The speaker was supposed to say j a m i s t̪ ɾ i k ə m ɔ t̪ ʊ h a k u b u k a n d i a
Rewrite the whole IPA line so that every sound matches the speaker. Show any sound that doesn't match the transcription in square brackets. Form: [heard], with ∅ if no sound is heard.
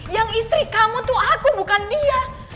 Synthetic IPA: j a [ŋ] i s t̪ ɾ i k [a] m [u] t̪ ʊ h a k u b u k a n d i a